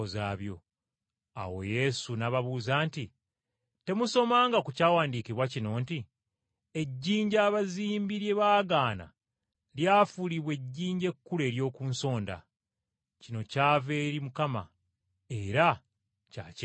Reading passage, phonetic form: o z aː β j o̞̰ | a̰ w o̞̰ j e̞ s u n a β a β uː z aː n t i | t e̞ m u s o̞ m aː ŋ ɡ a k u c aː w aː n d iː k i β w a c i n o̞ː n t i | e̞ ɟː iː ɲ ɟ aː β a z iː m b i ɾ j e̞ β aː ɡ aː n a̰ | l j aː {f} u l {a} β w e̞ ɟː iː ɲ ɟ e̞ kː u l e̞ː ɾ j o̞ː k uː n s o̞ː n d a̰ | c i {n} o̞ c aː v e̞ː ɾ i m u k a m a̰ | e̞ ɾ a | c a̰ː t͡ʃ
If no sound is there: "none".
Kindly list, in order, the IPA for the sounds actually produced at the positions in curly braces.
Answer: f, i, n

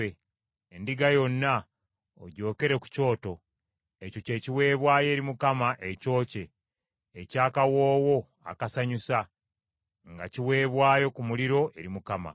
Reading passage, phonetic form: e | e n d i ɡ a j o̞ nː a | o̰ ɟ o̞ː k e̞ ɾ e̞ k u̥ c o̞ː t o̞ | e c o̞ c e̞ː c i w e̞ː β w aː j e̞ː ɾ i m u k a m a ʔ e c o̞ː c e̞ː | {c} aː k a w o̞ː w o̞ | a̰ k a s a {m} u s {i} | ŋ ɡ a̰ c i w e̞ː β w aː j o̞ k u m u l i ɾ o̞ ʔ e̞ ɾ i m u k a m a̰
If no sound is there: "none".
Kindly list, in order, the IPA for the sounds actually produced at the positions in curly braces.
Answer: c, ɲ, a

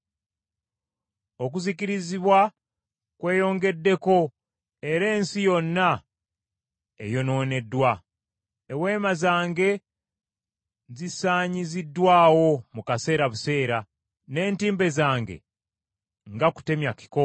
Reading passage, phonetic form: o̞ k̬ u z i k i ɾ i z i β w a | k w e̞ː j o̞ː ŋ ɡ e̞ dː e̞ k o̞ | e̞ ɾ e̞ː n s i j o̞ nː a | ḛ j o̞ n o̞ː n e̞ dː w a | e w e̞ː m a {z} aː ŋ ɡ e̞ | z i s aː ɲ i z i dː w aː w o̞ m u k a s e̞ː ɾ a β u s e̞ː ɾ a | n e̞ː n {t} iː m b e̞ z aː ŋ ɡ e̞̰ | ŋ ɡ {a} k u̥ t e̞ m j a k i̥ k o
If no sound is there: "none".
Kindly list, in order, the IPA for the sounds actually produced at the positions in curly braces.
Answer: z, t, a

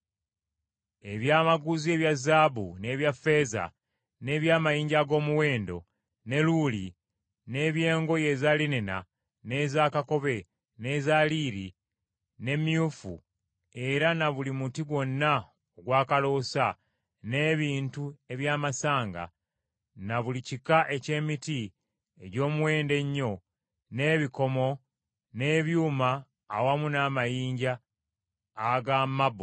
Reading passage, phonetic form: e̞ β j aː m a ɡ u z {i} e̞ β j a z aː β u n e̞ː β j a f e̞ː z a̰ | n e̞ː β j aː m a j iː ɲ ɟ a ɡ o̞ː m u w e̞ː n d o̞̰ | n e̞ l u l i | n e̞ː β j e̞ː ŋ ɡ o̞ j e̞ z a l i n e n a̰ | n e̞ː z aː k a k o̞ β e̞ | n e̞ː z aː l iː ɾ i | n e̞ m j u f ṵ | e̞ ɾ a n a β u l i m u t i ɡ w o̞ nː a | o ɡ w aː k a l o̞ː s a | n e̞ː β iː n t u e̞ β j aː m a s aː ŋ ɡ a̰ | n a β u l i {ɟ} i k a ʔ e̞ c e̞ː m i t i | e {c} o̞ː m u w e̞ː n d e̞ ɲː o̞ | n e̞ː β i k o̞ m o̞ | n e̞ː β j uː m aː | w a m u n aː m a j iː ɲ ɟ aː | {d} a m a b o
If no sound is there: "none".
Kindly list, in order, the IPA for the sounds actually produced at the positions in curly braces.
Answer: i, c, ɟ, ɡ

